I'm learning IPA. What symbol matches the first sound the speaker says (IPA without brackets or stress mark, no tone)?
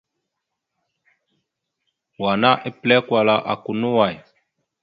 w